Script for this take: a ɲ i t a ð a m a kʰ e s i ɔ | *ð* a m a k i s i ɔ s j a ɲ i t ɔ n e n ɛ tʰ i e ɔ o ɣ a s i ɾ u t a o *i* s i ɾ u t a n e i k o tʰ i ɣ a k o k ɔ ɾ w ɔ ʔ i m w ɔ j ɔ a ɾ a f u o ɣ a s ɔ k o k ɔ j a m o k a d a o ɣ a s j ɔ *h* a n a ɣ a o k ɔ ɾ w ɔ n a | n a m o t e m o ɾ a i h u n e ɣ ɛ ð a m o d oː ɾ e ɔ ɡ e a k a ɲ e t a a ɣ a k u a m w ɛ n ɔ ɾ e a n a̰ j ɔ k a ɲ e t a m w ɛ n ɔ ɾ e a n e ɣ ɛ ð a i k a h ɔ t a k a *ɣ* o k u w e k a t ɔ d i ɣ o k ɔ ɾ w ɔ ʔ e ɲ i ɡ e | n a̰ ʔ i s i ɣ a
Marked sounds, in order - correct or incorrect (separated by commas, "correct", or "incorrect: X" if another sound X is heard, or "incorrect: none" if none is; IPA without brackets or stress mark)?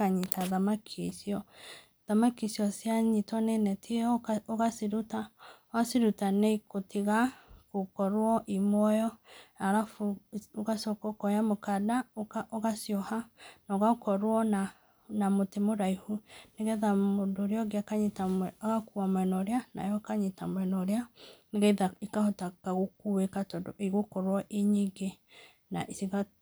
correct, incorrect: a, correct, correct